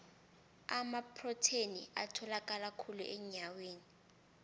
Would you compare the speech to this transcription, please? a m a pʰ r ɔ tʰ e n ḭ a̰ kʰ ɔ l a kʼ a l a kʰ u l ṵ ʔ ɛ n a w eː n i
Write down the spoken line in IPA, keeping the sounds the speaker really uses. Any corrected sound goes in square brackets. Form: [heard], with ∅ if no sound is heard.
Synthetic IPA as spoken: a m a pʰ r ɔ tʰ e n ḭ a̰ [tʰ] ɔ l a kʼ a l a kʰ u l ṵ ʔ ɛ [ɲ] a w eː n i